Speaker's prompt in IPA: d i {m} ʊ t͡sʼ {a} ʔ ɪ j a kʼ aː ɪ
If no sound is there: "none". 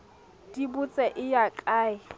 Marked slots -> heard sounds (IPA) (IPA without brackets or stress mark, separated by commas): b, ɛ